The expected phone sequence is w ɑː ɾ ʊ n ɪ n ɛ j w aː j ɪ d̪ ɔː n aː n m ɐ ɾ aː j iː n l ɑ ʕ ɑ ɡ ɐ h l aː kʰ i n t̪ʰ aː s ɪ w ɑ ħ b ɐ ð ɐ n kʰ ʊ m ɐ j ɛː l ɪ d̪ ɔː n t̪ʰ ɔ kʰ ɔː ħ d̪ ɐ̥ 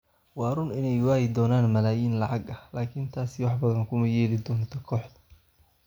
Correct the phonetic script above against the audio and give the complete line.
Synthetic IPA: w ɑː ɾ ʊ n ɪ n ɛ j w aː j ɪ d̪ ɔː n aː n m ɐ l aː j iː n l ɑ ʕ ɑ ɡ ɐ h l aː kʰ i n t̪ʰ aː s ɪ w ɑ ħ b ɐ ð ɐ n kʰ ʊ m ɐ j ɛː l ɪ d̪ ɔː n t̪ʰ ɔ kʰ ɔː ħ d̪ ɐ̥